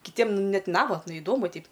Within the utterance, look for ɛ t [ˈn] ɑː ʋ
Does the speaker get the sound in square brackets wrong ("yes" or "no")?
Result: no